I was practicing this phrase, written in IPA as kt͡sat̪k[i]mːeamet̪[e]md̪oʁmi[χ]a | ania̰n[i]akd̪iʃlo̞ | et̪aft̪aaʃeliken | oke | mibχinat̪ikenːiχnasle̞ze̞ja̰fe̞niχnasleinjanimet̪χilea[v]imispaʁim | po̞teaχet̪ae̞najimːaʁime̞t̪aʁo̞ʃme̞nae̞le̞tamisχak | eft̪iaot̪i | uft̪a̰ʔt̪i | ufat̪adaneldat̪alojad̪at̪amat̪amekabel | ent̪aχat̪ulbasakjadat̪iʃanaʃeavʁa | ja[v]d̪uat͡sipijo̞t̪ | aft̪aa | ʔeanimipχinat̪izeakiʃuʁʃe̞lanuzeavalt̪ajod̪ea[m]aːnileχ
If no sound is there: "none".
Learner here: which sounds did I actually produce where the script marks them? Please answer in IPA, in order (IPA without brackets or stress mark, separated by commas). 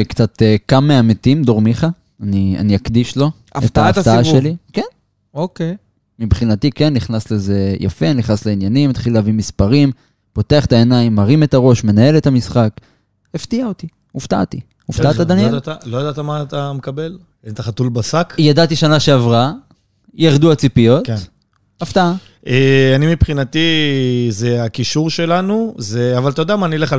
a, i, χ, i, v, ʁ, m